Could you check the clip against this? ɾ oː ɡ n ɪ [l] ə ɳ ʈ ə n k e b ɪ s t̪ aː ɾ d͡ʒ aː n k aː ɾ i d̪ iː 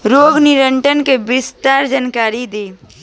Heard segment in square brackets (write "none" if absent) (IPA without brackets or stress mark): ɾ